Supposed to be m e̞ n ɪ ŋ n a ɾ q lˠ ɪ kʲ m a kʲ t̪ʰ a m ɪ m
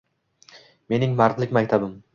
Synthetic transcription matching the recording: m e̞ n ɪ ŋ m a ɾ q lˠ ɪ kʲ m a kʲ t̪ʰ a b ɪ m